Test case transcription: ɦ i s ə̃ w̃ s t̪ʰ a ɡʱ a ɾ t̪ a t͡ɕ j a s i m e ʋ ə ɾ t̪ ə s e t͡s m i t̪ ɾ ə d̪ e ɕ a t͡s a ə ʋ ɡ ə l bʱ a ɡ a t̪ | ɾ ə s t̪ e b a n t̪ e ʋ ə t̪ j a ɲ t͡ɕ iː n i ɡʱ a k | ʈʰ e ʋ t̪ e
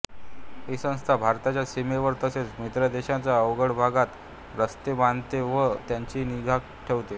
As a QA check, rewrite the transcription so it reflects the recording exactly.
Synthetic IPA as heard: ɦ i s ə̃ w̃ s t̪ʰ a bʱ a ɾ t̪ a t͡ɕ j a s i m e ʋ ə ɾ t̪ ə s e t͡s m i t̪ ɾ ə d̪ e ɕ a t͡s a ə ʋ ɡ ə ɽ bʱ a ɡ a t̪ | ɾ ə s t̪ e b a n t̪ e ʋ ə t̪ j a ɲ t͡ɕ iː n i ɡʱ a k | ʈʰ e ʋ t̪ e